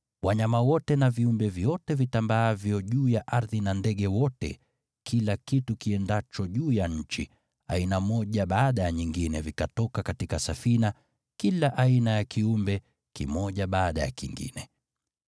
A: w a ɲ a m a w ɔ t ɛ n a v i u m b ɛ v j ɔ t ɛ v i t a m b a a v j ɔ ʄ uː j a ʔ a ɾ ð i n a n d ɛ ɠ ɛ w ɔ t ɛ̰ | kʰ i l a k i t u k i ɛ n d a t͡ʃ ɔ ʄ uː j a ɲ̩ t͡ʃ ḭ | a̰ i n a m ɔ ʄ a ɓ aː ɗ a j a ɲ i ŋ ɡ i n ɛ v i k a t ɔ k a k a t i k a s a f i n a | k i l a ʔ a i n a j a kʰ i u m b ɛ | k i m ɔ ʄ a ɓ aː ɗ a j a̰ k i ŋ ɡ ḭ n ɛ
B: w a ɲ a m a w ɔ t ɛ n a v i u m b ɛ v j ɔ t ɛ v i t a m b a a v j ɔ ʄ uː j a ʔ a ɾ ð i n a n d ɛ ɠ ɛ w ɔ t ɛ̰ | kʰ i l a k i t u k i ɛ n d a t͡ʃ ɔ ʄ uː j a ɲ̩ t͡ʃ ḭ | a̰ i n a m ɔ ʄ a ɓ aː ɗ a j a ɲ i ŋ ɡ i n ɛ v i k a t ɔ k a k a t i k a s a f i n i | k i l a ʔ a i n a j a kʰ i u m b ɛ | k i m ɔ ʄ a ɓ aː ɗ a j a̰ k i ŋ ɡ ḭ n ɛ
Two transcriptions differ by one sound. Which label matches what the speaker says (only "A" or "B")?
A